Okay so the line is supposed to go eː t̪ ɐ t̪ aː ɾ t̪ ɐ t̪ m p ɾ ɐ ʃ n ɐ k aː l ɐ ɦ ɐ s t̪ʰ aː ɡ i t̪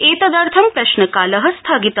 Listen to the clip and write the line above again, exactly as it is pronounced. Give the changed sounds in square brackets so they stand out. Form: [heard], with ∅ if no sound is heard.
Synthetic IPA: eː t̪ ɐ [d̪] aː ɾ [t̪ʰ] ɐ [∅] m p ɾ ɐ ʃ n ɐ k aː l ɐ ɦ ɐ s t̪ʰ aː ɡ i t̪